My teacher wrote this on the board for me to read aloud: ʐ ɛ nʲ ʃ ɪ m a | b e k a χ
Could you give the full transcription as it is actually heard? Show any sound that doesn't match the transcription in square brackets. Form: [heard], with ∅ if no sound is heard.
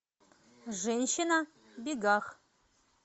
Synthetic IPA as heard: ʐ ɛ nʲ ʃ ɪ [n] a | b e [ɡ] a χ